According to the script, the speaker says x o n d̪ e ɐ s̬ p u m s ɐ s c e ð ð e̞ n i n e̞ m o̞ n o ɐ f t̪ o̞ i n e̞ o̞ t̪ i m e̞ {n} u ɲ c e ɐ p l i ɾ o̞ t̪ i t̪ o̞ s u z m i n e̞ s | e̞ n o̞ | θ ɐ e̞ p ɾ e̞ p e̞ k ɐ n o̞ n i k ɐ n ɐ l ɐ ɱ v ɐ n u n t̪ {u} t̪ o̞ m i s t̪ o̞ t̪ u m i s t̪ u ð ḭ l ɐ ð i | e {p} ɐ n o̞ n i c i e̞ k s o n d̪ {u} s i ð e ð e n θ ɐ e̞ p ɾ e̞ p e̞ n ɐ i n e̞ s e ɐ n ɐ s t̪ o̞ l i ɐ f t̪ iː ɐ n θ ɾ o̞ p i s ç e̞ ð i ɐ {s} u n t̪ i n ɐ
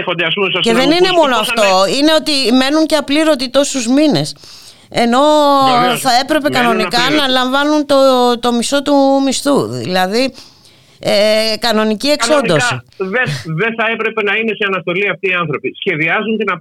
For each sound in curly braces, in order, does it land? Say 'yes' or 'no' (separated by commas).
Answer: yes, no, no, no, no